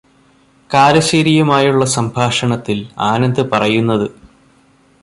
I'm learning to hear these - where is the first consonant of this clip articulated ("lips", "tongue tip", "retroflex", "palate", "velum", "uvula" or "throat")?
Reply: velum